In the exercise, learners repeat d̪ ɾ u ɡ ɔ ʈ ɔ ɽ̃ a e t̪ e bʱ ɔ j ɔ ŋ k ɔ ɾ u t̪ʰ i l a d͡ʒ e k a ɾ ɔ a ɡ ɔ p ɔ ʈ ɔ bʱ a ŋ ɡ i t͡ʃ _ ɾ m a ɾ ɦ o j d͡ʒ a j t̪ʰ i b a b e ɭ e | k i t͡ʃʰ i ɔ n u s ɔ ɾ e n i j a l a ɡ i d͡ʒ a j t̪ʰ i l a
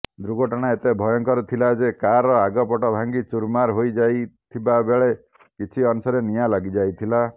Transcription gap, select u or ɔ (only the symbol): u